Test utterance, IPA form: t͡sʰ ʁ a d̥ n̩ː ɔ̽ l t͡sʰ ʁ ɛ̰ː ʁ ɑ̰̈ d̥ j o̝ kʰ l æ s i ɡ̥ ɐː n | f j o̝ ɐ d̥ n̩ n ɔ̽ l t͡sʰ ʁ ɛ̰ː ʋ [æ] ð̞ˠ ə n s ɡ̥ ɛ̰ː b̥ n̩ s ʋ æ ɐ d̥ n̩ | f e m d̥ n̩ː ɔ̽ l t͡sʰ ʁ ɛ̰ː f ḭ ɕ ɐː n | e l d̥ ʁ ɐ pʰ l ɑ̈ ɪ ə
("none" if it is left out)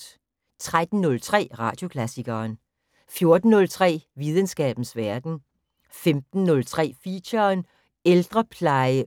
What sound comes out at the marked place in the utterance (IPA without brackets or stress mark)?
i